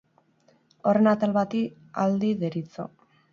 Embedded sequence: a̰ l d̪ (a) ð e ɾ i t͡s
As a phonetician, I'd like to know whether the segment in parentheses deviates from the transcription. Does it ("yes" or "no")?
yes